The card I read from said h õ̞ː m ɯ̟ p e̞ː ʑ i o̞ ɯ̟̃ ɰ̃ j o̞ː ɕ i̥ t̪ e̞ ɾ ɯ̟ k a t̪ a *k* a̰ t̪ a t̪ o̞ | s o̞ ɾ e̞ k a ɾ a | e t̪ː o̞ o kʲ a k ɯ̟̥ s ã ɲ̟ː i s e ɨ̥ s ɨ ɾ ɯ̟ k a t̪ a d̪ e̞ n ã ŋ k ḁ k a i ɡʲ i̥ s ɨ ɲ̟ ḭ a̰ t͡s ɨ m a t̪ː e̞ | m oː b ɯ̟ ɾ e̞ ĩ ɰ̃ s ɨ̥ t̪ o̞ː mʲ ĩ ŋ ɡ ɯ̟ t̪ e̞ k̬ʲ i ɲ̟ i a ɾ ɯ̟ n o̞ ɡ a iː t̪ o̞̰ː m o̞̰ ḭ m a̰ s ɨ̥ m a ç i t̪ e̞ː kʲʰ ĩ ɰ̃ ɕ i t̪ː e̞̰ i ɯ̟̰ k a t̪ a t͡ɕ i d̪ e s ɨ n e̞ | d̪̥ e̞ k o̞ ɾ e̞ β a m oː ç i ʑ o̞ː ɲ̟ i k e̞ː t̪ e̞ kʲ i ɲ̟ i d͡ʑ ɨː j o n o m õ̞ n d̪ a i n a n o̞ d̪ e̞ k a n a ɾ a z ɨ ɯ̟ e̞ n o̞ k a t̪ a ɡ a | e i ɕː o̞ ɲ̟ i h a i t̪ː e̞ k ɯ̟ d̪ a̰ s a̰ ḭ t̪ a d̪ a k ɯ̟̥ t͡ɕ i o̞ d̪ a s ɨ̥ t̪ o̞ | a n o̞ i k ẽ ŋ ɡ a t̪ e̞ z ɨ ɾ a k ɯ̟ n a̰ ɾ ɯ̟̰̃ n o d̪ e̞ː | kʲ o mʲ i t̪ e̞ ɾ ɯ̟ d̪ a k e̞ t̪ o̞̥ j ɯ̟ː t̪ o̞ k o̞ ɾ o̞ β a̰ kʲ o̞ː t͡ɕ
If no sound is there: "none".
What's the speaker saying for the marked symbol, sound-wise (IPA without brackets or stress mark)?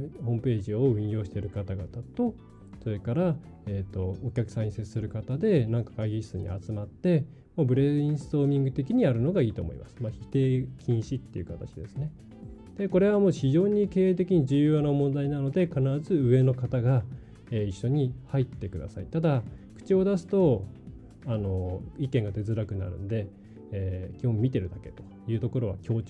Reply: ɡ